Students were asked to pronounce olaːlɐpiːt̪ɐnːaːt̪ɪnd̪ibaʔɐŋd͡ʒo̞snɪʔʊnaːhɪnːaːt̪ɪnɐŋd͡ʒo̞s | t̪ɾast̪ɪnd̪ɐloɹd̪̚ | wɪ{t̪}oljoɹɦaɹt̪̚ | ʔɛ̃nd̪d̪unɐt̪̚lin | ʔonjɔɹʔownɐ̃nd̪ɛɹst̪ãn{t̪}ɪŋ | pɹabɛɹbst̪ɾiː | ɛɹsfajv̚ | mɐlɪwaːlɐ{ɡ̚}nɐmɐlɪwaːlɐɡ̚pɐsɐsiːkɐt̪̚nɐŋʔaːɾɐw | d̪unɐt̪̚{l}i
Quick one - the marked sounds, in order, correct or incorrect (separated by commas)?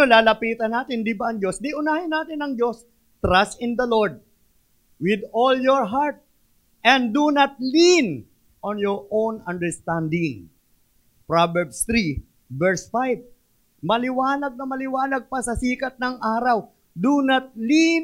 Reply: incorrect, incorrect, correct, correct